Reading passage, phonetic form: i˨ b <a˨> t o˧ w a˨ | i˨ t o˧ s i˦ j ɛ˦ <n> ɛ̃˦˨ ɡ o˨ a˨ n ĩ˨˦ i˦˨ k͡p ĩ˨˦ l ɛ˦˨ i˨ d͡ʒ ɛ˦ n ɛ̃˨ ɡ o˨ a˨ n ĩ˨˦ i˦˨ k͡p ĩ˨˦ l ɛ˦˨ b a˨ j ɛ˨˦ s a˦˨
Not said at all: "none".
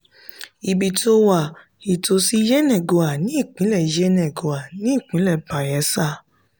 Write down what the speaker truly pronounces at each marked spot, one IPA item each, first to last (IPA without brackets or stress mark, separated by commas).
i˨, n